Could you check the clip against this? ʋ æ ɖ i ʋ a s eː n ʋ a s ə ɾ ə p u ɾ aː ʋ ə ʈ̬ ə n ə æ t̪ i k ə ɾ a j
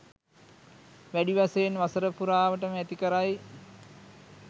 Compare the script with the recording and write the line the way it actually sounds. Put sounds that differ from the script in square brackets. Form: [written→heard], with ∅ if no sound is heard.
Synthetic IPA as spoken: ʋ æ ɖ i ʋ a s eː n ʋ a s ə ɾ ə p u ɾ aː ʋ ə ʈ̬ ə [n→m] ə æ t̪ i k ə ɾ a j